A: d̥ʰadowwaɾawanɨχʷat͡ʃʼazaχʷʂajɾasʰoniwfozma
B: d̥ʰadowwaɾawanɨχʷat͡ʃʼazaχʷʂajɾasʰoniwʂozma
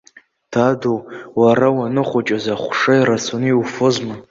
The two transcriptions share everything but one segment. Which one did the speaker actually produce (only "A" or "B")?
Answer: A